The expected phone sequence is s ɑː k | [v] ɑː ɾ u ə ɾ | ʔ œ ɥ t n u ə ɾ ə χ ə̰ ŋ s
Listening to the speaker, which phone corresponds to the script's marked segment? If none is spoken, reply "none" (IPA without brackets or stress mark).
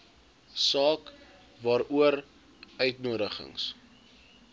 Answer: v